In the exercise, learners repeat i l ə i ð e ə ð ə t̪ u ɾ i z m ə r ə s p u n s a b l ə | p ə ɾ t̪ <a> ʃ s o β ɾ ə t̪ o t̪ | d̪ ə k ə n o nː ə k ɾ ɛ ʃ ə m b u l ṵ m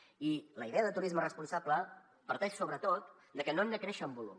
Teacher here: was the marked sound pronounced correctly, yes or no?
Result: no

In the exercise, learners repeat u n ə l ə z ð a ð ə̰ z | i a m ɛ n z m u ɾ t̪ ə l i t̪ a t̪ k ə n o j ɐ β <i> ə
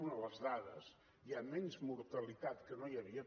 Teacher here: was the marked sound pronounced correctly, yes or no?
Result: yes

